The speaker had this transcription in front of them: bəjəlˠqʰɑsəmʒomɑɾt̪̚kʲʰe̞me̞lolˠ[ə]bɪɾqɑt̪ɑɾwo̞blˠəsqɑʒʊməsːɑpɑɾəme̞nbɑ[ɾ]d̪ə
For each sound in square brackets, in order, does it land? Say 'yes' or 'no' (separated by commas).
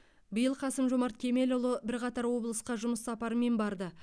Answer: yes, yes